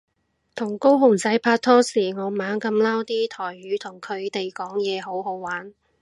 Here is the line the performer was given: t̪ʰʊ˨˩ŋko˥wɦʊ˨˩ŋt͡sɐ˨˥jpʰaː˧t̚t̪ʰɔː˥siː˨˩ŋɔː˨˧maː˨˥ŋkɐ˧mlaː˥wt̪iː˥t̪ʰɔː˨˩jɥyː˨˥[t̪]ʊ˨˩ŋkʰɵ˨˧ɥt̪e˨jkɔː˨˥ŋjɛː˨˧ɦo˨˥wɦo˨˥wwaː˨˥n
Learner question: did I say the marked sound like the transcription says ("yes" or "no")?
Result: no